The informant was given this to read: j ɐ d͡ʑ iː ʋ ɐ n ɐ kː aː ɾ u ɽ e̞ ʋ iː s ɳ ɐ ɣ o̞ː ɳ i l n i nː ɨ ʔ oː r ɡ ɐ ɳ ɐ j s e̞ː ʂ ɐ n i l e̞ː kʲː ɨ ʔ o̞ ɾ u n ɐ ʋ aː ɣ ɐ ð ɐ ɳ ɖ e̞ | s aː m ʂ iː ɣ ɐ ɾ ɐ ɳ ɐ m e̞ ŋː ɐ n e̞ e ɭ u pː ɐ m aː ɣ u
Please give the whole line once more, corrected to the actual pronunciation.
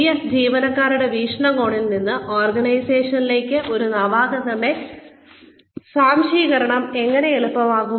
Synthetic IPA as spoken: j ɐ d͡ʑ iː ʋ ɐ n ɐ kː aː ɾ u ɽ e̞ ʋ iː ʂ ɳ ɐ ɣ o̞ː ɳ i l n i nː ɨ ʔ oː r ɡ ɐ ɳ ɐ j s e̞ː ʂ ɐ n i l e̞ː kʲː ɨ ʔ o̞ ɾ u n ɐ ʋ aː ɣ ɐ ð ɐ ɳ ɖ e̞ | s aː m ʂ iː ɣ ɐ ɾ ɐ ɳ ɐ m e̞ ŋː ɐ n e̞ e ɭ u pː ɐ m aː ɣ u